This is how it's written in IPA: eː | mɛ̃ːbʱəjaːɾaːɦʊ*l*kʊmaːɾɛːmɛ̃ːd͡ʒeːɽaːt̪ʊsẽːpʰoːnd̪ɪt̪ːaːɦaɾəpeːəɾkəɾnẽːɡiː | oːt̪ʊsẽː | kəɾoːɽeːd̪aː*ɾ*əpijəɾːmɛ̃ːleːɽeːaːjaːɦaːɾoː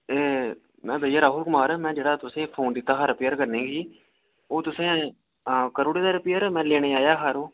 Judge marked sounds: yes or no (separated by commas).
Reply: yes, yes